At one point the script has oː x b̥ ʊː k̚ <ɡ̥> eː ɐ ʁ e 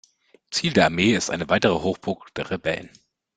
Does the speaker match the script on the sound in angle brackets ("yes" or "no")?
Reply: no